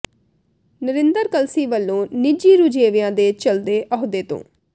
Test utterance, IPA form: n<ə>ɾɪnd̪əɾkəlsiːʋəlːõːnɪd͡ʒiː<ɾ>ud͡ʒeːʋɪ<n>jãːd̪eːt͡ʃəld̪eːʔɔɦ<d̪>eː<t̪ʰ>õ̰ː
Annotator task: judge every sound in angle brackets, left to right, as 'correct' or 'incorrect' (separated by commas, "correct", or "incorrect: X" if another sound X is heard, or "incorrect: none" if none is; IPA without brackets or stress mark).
correct, correct, incorrect: none, correct, incorrect: t̪